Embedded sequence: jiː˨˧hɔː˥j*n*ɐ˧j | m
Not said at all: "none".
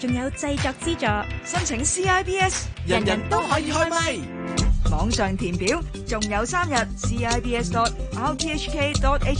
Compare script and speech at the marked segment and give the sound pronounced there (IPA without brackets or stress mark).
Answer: m